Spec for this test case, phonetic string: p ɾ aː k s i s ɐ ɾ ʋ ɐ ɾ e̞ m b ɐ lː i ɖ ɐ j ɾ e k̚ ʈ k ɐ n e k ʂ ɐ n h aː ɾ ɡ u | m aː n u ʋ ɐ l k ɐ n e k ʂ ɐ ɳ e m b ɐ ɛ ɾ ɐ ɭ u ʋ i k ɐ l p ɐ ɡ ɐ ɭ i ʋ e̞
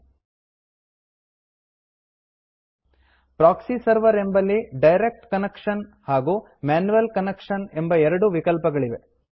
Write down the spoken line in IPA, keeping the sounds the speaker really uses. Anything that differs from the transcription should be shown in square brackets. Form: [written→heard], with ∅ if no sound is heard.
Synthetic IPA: p ɾ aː k s i s ɐ ɾ ʋ ɐ ɾ e̞ m b ɐ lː i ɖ ɐ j ɾ e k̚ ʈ k ɐ n e k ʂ ɐ n h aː [ɾ→∅] ɡ u | m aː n u ʋ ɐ l k ɐ n e k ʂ ɐ [ɳ→n] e m b ɐ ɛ ɾ ɐ [ɭ→ɽ] u ʋ i k ɐ l p ɐ ɡ ɐ ɭ i ʋ e̞

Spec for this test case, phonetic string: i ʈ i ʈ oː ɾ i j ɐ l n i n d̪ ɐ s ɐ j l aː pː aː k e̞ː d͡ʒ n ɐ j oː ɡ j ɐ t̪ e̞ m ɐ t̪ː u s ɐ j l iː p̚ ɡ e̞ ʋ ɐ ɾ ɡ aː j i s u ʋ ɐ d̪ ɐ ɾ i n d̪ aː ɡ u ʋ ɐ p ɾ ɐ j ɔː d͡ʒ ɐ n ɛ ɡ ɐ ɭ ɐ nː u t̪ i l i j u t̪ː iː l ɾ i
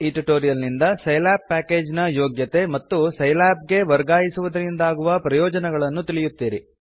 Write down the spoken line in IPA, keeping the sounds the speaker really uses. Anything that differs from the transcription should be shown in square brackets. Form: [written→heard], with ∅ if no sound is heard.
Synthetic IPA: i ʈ i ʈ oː ɾ i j ɐ l n i n d̪ ɐ s ɐ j l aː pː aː k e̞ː d͡ʒ n ɐ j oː ɡ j ɐ t̪ e̞ m ɐ t̪ː u s ɐ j l [iː→aː] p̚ ɡ e̞ ʋ ɐ ɾ ɡ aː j i s u ʋ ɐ d̪ ɐ ɾ i n d̪ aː ɡ u ʋ ɐ p ɾ ɐ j ɔː d͡ʒ ɐ n ɛ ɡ ɐ ɭ ɐ nː u t̪ i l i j u t̪ː iː [l→∅] ɾ i

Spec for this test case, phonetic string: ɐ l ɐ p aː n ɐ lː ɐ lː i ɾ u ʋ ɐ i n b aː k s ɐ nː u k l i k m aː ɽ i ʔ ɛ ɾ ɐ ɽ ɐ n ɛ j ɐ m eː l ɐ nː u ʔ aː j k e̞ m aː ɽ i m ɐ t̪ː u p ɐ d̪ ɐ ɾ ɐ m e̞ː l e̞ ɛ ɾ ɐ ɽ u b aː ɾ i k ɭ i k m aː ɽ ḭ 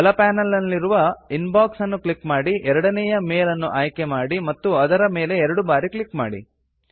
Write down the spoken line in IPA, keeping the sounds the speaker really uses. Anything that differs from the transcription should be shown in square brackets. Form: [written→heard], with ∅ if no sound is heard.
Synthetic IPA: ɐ l ɐ p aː n ɐ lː ɐ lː i ɾ u ʋ ɐ i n b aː k s ɐ nː u k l i k m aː ɽ i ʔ ɛ ɾ ɐ ɽ ɐ n ɛ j ɐ m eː l ɐ nː u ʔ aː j k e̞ m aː ɽ i m ɐ t̪ː u [p→∅] ɐ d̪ ɐ ɾ ɐ m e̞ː l e̞ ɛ ɾ ɐ ɽ u b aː ɾ i k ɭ i k m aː ɽ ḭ

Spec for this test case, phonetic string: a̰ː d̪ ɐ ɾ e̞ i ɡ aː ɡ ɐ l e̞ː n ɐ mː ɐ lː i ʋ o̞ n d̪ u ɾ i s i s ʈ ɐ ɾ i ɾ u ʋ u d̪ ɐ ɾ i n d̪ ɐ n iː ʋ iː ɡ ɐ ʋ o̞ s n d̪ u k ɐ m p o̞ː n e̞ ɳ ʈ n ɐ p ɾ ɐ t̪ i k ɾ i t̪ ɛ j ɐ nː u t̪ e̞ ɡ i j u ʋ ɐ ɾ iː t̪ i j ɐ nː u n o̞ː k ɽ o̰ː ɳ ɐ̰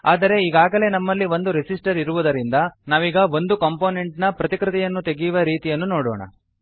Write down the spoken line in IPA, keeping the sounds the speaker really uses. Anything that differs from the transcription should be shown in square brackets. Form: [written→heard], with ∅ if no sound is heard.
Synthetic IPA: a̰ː d̪ ɐ ɾ e̞ i ɡ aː ɡ ɐ l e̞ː n ɐ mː ɐ lː i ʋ o̞ n d̪ u ɾ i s i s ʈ ɐ ɾ i ɾ u ʋ u d̪ ɐ ɾ i n d̪ ɐ n [iː→aː] ʋ iː ɡ ɐ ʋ o̞ [s→∅] n d̪ u k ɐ m p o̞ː n e̞ ɳ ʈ n ɐ p ɾ ɐ t̪ i k ɾ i t̪ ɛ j ɐ nː u t̪ e̞ ɡ i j u ʋ ɐ ɾ iː t̪ i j ɐ nː u n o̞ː [k→∅] ɽ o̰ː ɳ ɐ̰

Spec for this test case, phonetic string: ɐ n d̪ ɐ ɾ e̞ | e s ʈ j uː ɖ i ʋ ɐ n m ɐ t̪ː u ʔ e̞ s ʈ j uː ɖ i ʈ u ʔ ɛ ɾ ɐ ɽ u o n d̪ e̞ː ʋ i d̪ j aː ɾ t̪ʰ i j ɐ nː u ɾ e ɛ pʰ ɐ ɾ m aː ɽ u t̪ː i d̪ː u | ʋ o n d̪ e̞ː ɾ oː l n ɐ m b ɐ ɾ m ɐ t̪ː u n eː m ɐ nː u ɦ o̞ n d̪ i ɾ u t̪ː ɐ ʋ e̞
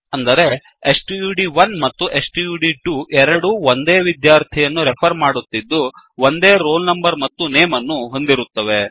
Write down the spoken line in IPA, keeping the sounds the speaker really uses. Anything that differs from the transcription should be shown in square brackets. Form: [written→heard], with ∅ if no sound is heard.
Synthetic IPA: ɐ n d̪ ɐ ɾ e̞ | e s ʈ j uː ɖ i ʋ ɐ n m ɐ t̪ː u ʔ e̞ s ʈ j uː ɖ i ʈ u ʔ ɛ ɾ ɐ ɽ u o n d̪ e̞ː ʋ i d̪ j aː ɾ t̪ʰ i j ɐ nː u ɾ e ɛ pʰ ɐ ɾ m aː ɽ u t̪ː i d̪ː u | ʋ o n d̪ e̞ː ɾ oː l n ɐ m b ɐ ɾ m ɐ t̪ː u n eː m ɐ nː u ɦ o̞ n d̪ i ɾ u t̪ː ɐ ʋ e̞

